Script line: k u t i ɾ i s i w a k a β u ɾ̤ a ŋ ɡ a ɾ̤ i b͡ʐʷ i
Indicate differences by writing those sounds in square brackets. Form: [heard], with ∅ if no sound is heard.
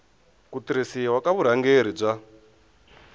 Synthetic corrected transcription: k u t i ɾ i s i w a k a β u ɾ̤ a ŋ ɡ [e] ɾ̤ i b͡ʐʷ [a]